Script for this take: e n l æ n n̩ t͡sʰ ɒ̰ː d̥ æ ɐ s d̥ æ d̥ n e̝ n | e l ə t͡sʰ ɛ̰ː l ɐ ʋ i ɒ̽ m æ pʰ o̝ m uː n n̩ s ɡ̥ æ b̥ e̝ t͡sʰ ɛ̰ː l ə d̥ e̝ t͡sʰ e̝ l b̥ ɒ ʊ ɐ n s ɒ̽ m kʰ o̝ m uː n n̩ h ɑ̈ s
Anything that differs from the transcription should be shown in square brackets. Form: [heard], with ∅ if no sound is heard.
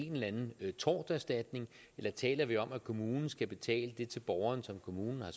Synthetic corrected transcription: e n l æ n n̩ t͡sʰ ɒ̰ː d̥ æ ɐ s d̥ æ d̥ n e̝ [ŋ] | e l [ɐ] t͡sʰ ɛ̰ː l ɐ ʋ i ɒ̽ m æ [kʰ] o̝ m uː n n̩ s ɡ̥ æ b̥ e̝ t͡sʰ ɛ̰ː l ə d̥ e̝ t͡sʰ e̝ l b̥ ɒ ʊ ɐ n s ɒ̽ m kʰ o̝ m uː n n̩ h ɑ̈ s